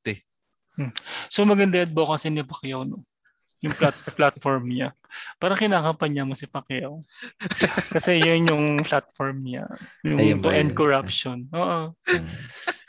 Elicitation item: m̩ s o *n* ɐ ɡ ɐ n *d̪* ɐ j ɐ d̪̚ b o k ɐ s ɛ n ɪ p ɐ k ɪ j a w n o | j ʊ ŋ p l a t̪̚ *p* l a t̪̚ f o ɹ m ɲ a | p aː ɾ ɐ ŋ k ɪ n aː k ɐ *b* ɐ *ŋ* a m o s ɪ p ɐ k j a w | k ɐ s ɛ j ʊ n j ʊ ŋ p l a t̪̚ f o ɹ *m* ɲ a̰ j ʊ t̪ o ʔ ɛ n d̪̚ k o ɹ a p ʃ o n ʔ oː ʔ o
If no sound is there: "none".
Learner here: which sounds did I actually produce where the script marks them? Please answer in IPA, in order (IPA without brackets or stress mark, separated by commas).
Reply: m, d̪, p, p, ɲ, m